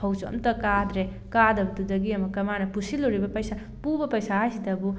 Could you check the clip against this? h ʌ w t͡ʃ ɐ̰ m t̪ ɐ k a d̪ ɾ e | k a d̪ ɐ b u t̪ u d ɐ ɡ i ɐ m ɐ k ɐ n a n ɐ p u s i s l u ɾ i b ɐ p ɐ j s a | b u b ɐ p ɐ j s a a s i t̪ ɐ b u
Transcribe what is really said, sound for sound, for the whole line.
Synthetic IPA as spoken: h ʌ w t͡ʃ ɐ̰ m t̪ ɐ k a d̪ ɾ e | k a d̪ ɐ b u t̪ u d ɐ ɡ i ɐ m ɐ k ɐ m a n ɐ p u s i l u ɾ i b ɐ p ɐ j s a | p u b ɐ p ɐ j s a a s i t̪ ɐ b u